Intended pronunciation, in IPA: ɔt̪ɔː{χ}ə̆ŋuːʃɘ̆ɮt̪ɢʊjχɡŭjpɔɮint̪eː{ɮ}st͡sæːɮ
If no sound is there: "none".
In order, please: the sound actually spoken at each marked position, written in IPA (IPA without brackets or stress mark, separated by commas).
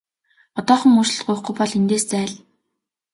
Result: χ, none